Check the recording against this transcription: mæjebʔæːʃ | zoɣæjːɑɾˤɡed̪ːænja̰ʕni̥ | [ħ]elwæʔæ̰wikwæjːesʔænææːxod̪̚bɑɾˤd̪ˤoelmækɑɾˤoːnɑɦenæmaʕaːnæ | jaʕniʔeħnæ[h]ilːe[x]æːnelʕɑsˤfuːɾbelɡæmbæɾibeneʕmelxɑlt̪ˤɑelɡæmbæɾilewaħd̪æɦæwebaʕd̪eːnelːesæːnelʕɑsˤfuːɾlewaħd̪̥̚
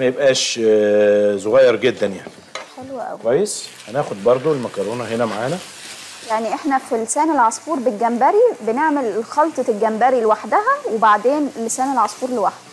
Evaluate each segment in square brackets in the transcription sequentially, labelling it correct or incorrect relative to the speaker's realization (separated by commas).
correct, incorrect, incorrect